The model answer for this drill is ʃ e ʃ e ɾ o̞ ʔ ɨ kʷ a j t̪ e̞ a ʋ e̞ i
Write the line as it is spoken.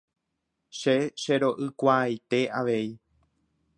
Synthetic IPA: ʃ e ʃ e ɾ o̞ ʔ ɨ kʷ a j t̪ e̞ a ʋ e̞ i